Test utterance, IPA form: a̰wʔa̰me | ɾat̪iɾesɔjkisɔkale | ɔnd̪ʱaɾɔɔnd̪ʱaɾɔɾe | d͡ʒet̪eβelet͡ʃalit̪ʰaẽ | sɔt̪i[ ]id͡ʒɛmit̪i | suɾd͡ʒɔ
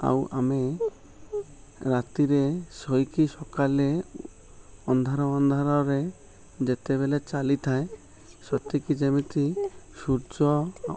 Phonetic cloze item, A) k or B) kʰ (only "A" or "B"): A